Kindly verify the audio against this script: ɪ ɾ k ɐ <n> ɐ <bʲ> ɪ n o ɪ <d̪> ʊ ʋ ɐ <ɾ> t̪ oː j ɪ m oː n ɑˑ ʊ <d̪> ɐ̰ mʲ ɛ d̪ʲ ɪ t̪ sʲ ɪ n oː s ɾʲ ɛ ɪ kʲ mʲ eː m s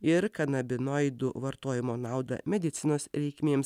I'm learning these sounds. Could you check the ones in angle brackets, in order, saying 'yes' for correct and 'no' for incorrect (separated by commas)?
yes, yes, yes, yes, yes